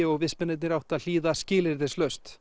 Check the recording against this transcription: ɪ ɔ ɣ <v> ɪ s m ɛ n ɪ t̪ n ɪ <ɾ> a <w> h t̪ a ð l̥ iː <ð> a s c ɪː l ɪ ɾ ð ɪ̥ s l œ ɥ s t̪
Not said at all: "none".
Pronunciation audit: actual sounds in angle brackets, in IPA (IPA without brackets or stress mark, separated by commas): v, ɾ, w, ð